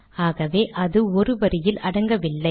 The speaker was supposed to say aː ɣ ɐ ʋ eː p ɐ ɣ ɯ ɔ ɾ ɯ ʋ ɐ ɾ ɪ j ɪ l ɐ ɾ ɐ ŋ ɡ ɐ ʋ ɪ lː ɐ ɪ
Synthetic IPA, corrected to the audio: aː ɣ ɐ ʋ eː ʔ ɐ ð ɯ ɔ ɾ ɯ ʋ ɐ ɾ ɪ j ɪ l ɐ ɽ ɐ ŋ ɡ ɐ ʋ ɪ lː ɐ ɪ